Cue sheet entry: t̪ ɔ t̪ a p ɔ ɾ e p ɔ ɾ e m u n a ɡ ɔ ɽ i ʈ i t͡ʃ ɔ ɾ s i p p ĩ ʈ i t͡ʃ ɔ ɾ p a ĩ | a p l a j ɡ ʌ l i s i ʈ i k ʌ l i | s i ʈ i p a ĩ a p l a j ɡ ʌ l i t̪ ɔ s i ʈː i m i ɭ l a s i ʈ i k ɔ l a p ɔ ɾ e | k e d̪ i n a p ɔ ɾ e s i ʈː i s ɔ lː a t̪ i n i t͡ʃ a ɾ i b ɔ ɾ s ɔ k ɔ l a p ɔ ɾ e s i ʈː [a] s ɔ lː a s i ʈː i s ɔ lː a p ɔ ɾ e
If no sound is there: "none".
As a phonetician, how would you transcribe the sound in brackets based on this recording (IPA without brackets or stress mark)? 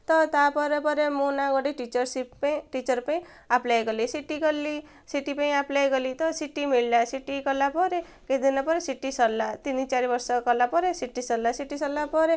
i